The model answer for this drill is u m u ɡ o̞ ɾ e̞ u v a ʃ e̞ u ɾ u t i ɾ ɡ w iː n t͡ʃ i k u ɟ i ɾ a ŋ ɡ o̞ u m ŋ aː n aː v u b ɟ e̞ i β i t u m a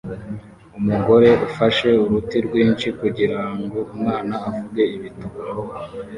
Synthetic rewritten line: u m u ɡ o̞ ɾ e̞ u f a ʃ e̞ u ɾ u t i ɾ ɡ w iː n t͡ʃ i k u ɟ i ɾ a ŋ ɡ o̞ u m ŋ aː n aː v u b ɡ e̞ i β i t u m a